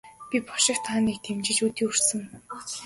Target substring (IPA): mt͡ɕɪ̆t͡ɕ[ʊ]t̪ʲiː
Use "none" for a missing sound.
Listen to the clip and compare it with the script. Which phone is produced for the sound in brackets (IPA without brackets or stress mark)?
u